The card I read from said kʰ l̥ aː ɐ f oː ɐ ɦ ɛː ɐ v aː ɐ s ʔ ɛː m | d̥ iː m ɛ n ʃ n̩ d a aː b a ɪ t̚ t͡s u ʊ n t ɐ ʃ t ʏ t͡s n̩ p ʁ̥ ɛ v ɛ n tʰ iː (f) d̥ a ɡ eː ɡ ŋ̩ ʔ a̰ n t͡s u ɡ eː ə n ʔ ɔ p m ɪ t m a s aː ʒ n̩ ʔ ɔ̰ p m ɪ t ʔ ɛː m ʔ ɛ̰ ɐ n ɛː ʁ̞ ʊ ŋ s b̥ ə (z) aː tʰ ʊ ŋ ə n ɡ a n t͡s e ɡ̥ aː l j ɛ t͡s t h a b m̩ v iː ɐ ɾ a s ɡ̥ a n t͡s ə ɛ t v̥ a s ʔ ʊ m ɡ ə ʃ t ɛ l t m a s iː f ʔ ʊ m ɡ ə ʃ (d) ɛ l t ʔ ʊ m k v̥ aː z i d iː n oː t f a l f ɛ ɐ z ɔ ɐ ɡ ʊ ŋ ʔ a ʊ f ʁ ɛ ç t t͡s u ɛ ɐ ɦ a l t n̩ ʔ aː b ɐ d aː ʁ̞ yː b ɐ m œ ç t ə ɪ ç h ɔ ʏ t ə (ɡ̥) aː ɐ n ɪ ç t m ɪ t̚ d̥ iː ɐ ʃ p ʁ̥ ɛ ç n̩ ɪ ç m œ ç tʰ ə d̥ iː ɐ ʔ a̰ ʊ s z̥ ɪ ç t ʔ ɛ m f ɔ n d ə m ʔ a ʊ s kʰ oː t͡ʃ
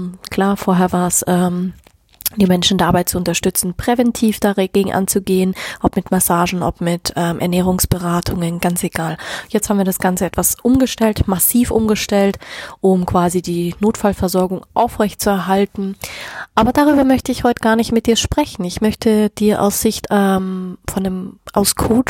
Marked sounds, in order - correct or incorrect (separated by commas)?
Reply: correct, incorrect, incorrect, correct